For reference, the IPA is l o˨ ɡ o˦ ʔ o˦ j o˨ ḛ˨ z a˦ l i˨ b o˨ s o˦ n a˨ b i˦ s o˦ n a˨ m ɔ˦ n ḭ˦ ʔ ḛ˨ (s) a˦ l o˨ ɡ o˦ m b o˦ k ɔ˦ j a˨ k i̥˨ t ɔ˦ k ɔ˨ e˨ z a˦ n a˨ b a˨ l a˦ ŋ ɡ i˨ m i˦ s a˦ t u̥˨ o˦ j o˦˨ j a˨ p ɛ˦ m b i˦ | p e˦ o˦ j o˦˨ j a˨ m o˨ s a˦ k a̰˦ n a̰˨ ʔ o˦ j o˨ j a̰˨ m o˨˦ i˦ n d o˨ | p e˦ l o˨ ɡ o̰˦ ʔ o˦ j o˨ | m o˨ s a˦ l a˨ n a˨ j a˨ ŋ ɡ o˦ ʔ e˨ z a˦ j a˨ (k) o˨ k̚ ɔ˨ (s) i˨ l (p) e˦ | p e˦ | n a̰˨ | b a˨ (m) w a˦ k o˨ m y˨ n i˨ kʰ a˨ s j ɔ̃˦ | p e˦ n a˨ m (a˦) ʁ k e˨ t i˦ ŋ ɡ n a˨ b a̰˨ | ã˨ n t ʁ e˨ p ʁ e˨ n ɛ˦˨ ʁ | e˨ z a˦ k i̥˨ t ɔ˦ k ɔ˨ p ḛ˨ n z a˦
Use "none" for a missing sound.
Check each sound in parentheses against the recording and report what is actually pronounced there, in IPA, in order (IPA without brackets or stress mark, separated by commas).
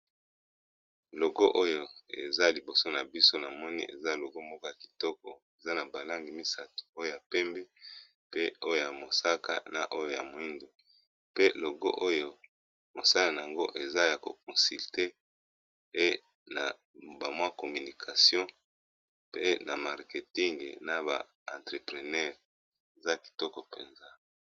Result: z, k, s, t, m, a˨